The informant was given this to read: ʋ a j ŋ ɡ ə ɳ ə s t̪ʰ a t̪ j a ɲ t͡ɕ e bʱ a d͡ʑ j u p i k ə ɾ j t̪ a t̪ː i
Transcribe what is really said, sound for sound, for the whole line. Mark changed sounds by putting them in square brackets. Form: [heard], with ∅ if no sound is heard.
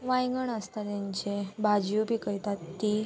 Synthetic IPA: ʋ a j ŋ ɡ ə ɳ ə s [t̪] a t̪ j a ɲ t͡ɕ e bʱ a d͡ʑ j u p i k ə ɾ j t̪ a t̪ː i